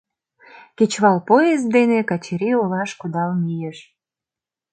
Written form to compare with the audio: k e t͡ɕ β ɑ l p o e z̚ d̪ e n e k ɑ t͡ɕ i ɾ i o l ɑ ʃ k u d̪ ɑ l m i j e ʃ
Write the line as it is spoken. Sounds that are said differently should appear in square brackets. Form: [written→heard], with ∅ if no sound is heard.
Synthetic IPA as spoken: k e t͡ɕ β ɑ l p o e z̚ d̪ e n e k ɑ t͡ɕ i ɾ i o l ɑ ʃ k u d̪ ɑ l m i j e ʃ

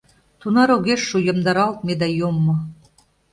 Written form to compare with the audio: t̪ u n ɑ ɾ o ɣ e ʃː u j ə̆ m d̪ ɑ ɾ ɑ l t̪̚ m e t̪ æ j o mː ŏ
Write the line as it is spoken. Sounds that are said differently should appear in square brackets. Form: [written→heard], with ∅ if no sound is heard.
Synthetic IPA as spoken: t̪ u n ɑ ɾ o ɣ e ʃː u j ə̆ m d̪ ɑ ɾ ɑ l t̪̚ m e [t̪→d̪] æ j o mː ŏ

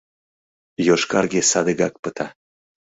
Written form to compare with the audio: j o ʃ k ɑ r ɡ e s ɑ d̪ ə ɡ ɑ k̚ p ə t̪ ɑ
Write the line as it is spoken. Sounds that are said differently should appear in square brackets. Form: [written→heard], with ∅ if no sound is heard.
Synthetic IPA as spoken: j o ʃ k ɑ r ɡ e s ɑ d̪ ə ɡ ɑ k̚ p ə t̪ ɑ

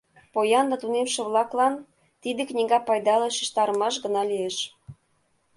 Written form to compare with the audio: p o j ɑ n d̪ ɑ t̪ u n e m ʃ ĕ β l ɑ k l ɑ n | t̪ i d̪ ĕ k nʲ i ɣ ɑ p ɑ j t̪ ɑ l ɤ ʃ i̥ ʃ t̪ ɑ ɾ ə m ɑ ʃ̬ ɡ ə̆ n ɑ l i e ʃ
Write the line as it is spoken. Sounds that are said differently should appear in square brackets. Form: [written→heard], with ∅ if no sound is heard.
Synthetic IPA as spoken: p o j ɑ n d̪ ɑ t̪ u n e m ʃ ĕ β l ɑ k l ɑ n | t̪ i d̪ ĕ k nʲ i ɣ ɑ p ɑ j [t̪→d̪] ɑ l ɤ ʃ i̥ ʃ t̪ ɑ ɾ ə m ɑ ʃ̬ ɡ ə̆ n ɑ l i e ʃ

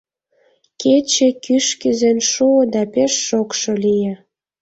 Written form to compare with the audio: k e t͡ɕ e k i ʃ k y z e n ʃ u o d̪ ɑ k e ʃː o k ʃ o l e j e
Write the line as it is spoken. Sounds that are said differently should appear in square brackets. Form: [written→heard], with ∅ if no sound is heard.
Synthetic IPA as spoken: k e t͡ɕ e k [i→y] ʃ k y z e n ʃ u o d̪ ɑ [k→p] e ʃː o k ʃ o l [e→i] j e

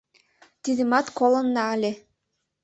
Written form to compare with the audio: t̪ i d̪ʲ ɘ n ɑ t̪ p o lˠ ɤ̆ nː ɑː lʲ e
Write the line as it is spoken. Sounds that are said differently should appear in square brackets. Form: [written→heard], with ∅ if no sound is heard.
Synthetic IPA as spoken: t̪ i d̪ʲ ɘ [n→m] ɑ t̪ [p→k] o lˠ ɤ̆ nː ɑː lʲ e

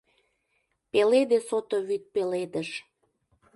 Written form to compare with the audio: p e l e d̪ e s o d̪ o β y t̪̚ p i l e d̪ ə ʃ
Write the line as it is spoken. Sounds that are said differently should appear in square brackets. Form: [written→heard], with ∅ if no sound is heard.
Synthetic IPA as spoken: p e l e d̪ e s o [d̪→t̪] o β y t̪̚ p [i→e] l e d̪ ə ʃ

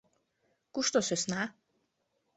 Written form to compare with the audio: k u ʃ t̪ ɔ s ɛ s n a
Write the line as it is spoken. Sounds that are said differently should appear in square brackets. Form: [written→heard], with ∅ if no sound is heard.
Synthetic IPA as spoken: k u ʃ t̪ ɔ s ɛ s n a

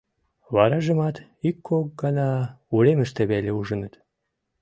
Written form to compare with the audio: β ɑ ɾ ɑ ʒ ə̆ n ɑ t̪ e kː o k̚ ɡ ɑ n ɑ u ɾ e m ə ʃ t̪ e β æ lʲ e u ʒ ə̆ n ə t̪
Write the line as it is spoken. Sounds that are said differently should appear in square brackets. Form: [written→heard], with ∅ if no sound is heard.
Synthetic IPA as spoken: β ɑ ɾ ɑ ʒ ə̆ [n→m] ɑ t̪ [e→i] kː o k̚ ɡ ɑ n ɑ u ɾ e m ə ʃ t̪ e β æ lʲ e u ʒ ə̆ n ə t̪

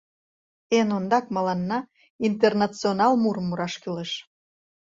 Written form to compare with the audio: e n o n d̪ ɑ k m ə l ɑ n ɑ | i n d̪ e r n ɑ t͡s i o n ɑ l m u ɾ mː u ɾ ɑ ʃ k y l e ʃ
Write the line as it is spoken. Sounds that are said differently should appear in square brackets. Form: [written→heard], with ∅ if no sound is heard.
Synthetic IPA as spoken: e n o n d̪ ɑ k m [ə→ɑ] l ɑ [n→nː] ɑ | i n [d̪→t̪] e r n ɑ t͡s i o n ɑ l m u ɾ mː u ɾ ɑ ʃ k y l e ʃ

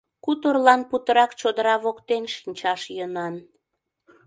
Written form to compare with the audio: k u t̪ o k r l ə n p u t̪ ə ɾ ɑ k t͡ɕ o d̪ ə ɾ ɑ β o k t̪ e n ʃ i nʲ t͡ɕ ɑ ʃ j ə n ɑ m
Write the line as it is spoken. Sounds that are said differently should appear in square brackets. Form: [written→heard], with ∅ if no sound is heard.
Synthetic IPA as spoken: k u t̪ o [k→∅] r l [ə→ɑ] n p u t̪ ə ɾ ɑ k t͡ɕ o d̪ ə ɾ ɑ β o k t̪ e n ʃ i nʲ t͡ɕ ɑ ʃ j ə n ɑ [m→n]

